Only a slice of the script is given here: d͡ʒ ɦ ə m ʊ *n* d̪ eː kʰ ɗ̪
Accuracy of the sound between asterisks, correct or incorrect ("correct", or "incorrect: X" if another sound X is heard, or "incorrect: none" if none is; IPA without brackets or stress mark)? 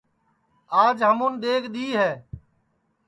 correct